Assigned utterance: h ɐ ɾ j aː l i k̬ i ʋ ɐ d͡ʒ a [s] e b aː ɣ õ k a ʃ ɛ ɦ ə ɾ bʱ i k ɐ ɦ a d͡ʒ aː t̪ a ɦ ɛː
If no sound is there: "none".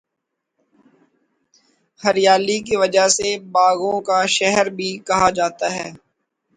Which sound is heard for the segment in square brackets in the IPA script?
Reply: s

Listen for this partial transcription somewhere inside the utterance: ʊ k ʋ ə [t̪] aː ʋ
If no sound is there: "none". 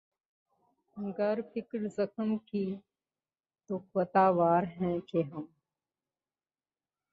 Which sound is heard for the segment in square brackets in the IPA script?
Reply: t̪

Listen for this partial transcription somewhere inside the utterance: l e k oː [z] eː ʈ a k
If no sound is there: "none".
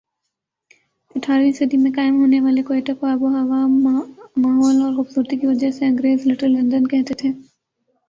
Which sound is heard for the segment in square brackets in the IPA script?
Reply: none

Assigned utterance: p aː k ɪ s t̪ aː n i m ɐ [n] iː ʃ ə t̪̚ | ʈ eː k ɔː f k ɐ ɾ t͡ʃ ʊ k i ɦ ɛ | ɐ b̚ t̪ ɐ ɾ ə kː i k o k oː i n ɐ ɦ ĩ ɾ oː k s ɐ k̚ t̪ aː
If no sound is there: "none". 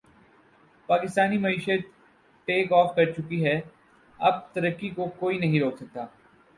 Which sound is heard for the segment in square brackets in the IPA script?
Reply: none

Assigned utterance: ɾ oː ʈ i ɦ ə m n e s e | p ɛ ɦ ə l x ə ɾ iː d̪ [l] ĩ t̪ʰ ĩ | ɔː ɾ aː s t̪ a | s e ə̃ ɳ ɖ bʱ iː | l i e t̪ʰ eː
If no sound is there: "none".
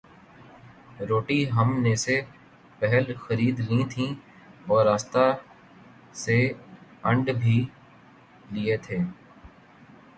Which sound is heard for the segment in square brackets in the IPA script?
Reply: l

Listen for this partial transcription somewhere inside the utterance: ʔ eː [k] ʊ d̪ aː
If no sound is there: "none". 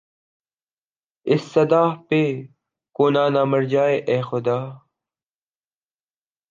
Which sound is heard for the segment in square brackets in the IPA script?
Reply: x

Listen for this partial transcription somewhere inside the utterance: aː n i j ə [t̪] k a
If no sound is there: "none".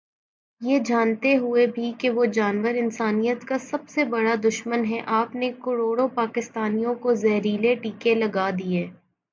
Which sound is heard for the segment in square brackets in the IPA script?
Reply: t̪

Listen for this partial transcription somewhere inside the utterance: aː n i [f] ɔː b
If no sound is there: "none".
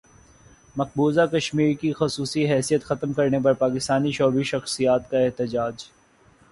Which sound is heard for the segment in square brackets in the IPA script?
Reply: ʃ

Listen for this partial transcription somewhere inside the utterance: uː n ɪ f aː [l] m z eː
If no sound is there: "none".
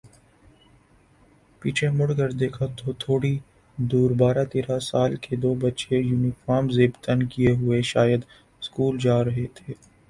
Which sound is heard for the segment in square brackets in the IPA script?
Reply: ɾ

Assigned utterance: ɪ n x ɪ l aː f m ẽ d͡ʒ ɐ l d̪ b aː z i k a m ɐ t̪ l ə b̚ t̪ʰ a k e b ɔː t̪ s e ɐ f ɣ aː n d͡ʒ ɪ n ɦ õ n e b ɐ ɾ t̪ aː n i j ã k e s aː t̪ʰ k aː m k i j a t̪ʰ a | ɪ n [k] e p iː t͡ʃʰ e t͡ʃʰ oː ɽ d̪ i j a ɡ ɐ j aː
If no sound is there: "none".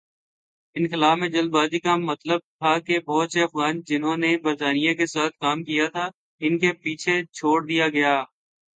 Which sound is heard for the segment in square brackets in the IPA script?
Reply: k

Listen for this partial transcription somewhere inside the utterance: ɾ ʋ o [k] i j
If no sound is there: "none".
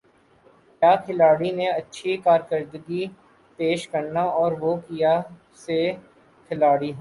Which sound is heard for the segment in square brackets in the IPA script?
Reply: k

